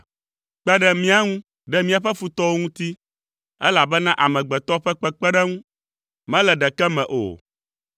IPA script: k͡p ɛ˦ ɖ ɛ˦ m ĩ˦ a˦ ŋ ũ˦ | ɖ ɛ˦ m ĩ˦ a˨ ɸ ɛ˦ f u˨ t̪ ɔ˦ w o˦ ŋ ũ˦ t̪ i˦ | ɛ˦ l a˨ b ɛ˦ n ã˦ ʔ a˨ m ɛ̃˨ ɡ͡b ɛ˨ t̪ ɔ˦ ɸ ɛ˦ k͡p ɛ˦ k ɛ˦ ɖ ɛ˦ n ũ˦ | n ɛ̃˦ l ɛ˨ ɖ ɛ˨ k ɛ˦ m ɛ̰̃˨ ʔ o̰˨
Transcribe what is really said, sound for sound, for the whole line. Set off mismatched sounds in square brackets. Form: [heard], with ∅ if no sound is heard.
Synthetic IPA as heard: k͡p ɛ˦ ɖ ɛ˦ m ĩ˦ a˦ ŋ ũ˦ | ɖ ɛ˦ m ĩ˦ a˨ ɸ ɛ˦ f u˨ t̪ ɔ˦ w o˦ ŋ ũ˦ t̪ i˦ | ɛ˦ l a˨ b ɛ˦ n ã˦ ʔ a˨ m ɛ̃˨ ɡ͡b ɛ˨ t̪ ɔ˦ ɸ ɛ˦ k͡p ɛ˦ [k͡p] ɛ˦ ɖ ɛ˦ [ŋ] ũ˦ | [m] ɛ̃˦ l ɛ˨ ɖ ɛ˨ k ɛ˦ m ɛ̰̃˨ ʔ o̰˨